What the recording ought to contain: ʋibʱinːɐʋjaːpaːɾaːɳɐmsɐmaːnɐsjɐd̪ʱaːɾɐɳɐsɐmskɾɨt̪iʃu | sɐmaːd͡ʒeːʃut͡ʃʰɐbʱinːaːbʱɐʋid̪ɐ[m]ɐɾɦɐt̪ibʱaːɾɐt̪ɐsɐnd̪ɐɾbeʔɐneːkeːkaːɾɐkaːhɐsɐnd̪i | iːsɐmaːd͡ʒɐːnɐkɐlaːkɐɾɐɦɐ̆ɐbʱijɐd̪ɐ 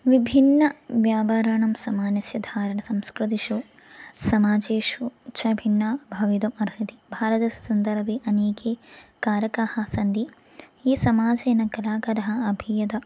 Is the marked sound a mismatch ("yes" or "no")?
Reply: no